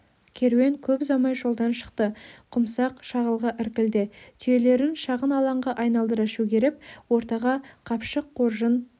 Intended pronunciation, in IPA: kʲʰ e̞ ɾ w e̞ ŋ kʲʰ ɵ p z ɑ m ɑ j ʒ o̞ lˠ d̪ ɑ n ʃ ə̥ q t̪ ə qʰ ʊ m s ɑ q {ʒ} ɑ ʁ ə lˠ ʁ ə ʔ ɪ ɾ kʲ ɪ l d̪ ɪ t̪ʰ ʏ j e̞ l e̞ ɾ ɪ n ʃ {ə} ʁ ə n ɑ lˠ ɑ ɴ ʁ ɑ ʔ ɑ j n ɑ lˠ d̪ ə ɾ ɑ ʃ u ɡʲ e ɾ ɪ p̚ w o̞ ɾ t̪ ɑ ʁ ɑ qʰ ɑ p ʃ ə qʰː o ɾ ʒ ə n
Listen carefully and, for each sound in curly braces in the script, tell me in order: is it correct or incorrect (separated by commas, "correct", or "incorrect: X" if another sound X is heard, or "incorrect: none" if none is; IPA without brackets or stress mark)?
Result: incorrect: ʃ, incorrect: ɑ